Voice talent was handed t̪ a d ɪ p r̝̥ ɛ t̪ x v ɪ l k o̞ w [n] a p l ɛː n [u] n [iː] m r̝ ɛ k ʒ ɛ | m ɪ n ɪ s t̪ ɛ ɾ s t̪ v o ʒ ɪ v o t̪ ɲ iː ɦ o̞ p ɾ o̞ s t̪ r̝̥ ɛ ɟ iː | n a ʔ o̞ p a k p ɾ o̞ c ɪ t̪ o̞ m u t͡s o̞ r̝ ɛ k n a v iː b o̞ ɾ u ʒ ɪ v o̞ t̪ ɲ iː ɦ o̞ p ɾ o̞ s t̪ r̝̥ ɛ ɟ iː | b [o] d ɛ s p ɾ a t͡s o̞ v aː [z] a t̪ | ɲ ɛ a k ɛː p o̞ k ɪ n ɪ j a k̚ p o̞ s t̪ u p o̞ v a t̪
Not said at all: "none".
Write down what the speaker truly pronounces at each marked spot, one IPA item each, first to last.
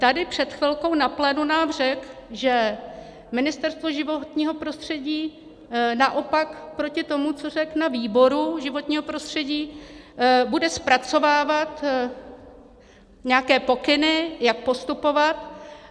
n, u, aː, u, v

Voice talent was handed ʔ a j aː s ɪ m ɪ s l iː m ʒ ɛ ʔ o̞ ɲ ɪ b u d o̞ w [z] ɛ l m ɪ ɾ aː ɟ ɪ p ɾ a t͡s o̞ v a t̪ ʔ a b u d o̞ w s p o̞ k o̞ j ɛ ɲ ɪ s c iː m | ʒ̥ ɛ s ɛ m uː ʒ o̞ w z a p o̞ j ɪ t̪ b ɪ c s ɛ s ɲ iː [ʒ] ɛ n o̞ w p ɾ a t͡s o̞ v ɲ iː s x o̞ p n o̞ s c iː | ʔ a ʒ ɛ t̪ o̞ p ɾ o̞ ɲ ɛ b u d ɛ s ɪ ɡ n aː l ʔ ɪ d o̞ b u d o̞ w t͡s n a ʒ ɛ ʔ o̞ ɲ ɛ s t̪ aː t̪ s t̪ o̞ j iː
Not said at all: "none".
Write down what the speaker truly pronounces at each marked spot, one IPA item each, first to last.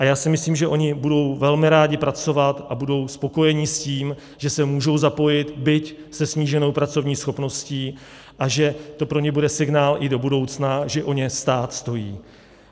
v, ʒ

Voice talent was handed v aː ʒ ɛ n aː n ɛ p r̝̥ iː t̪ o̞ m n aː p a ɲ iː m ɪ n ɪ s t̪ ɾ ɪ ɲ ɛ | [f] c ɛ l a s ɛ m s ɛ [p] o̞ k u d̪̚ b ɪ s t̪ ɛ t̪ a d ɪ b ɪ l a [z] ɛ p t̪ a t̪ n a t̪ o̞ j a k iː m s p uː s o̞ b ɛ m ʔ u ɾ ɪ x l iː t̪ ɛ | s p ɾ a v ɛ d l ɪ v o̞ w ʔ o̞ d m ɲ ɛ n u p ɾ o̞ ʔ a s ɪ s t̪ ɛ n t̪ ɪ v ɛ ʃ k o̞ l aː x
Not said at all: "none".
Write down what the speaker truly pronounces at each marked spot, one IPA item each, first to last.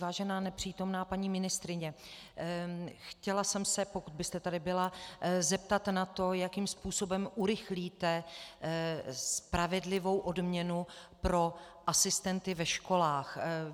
x, p, z

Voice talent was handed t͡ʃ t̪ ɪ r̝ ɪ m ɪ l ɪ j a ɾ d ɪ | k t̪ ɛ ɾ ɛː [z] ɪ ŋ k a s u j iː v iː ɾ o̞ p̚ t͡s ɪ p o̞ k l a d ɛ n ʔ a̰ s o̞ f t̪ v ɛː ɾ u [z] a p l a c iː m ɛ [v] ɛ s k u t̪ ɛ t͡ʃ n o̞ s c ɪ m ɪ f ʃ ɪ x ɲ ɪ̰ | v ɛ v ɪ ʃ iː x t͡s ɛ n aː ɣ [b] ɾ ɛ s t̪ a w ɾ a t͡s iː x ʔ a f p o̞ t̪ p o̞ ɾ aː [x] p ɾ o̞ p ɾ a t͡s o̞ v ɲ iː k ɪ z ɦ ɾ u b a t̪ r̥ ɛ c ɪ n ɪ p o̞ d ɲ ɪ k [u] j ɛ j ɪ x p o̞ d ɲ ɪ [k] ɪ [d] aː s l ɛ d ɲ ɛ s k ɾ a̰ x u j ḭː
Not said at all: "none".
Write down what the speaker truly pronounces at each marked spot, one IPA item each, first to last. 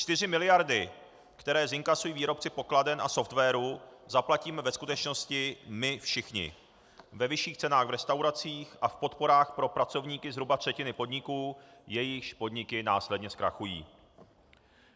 z, z, v, v, x, uː, k, n

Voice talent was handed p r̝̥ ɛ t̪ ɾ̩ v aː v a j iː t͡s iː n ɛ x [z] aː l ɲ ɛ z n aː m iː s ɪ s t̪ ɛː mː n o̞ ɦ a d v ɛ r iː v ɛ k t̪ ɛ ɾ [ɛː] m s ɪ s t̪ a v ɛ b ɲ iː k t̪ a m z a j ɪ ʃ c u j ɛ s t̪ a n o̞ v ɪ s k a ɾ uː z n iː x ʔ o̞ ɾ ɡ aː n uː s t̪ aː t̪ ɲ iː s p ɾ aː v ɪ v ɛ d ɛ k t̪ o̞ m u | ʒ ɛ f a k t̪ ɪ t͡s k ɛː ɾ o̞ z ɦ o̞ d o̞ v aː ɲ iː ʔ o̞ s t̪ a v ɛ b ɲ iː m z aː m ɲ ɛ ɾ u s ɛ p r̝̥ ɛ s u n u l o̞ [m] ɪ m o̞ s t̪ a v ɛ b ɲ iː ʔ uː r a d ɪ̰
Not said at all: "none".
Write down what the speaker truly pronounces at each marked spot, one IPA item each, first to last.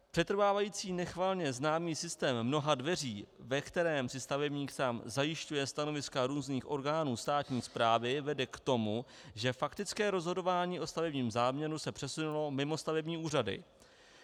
v, ɛː, m

